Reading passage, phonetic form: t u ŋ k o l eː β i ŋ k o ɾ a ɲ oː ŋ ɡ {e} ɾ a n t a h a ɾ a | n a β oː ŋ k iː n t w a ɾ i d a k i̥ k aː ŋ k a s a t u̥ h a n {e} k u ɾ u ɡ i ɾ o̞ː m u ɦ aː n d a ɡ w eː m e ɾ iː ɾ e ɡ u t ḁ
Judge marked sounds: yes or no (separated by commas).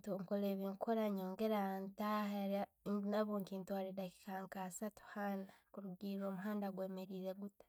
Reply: yes, no